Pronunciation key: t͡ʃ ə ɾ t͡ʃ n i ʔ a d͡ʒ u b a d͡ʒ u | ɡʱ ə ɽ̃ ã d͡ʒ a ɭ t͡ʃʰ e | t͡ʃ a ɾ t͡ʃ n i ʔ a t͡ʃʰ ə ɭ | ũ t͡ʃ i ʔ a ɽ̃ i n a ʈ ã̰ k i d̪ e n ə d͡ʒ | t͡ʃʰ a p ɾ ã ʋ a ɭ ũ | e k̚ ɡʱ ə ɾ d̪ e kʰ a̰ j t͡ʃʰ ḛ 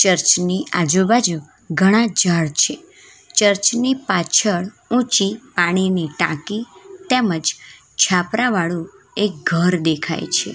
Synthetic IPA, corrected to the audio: t͡ʃ ə ɾ t͡ʃ n i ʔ a d͡ʒ u b a d͡ʒ u | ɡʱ ə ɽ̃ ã d͡ʒ a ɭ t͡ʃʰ e | t͡ʃ ə ɾ t͡ʃ n i p a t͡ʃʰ ə ɭ | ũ t͡ʃ i p a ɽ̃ i n i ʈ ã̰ k i t̪ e m ə d͡ʒ | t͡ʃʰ a p ɾ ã ʋ a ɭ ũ | e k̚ ɡʱ ə ɾ d̪ e kʰ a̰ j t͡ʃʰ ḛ